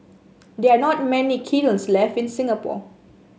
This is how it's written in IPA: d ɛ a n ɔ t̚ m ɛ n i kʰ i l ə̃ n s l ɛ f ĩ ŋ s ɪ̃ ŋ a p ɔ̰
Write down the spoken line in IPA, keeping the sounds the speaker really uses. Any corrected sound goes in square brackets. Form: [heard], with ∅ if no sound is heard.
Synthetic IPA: d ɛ a n ɔ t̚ m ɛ n i kʰ i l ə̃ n s l ɛ f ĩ [n] s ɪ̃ ŋ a p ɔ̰